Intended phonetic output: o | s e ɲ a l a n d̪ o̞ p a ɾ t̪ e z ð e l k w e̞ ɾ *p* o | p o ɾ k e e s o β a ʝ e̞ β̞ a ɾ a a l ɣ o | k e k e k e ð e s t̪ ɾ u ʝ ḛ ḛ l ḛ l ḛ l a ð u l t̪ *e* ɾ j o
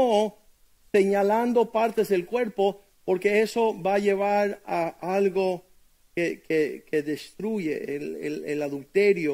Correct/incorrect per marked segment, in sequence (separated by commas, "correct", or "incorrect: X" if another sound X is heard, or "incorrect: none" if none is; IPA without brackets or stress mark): correct, correct